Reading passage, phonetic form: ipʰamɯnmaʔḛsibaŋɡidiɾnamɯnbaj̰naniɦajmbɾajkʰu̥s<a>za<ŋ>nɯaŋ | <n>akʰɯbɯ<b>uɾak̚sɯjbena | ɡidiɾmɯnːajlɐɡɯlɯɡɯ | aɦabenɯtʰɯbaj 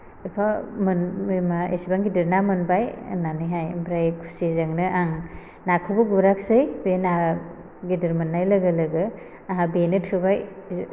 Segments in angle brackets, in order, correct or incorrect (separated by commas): incorrect, correct, correct, incorrect